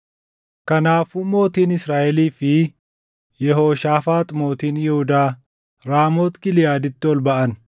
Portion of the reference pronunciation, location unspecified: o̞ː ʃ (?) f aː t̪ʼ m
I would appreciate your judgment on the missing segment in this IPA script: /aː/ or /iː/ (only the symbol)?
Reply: aː